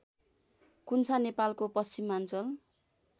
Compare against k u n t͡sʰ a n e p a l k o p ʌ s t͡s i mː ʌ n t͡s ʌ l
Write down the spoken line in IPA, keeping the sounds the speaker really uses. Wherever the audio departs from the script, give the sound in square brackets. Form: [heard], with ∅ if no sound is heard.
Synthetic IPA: k u n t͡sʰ a n e p a l k o p ʌ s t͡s i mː [a] n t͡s ʌ l